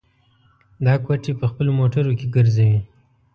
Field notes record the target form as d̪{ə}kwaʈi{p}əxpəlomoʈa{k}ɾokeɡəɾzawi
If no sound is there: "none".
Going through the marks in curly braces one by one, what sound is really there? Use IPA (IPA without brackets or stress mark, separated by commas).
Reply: ɑ, p, none